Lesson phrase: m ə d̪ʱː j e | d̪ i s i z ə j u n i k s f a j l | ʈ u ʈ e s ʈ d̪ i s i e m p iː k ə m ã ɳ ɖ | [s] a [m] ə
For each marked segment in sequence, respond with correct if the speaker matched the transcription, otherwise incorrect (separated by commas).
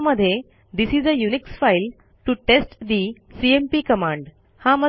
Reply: incorrect, correct